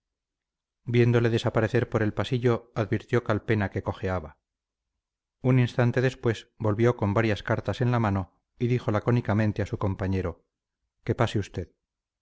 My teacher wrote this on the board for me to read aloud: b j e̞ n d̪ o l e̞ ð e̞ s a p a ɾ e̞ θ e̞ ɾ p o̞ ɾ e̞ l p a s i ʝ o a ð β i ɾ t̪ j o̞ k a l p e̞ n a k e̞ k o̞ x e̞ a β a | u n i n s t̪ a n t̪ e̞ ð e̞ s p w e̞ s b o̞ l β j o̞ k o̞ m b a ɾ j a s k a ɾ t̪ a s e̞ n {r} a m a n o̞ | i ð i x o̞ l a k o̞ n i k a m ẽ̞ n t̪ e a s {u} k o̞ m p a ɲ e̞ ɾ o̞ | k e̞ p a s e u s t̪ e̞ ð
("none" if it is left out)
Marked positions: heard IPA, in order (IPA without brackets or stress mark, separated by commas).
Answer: l, u